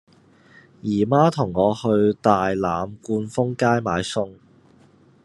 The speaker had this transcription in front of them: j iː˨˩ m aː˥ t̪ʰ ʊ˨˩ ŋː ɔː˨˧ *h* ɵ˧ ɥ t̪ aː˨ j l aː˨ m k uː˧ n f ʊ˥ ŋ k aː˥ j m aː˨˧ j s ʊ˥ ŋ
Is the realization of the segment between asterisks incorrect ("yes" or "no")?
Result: no